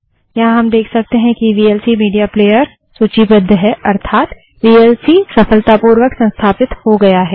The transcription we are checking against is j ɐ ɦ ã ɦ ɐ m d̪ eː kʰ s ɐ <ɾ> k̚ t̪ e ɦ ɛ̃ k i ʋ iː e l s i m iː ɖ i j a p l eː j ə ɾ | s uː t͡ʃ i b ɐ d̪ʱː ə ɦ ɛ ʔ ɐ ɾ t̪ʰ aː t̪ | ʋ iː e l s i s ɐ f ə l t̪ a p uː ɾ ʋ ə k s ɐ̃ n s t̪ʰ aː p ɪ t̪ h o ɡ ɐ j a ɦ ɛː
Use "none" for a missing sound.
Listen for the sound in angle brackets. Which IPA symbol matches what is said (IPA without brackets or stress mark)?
none